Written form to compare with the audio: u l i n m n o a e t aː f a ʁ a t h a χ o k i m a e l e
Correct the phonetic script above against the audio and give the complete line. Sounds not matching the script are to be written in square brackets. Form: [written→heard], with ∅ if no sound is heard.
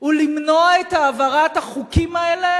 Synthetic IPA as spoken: u l i [n→∅] m n o a e t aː [f→v] a ʁ a t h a χ [o→u] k i m a e l e